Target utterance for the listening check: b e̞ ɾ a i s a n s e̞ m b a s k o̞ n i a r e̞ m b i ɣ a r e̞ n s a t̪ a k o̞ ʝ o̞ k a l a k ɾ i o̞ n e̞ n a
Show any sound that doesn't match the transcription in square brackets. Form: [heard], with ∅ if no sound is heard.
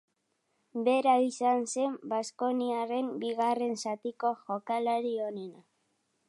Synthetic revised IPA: b e̞ ɾ a i s a n s e̞ m b a s k o̞ n i a r e̞ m b i ɣ a r e̞ n s a t̪ [i] k o̞ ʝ o̞ k a l a [∅] ɾ i o̞ n e̞ n a